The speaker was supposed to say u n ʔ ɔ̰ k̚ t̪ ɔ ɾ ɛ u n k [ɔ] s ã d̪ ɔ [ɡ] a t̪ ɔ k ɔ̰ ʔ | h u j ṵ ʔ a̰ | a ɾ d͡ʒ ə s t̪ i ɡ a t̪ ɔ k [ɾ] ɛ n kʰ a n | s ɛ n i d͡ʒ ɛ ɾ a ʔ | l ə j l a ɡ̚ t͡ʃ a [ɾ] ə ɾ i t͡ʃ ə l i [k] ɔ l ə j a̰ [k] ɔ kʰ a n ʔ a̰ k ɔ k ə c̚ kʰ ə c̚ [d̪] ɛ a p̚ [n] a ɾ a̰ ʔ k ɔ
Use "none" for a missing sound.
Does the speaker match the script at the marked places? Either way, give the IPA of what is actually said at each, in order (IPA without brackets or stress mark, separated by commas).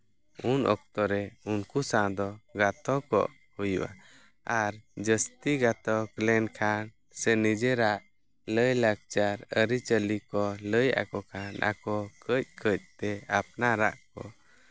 u, ɡ, l, ɾ, k, k, t̪, n